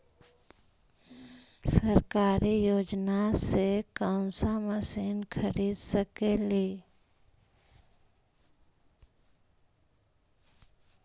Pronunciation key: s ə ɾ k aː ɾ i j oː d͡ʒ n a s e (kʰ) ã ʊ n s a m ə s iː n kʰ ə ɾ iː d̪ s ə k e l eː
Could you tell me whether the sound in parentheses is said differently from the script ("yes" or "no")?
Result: yes